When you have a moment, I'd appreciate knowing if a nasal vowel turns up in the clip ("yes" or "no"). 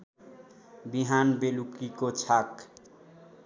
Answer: no